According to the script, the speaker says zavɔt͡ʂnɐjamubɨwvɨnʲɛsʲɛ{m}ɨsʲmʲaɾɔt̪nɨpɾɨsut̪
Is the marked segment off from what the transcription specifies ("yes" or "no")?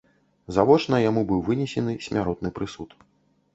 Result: yes